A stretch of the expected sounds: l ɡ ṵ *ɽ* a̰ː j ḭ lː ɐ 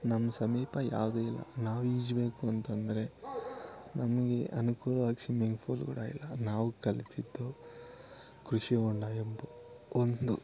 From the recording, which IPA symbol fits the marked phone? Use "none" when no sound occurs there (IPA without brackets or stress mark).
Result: ɽ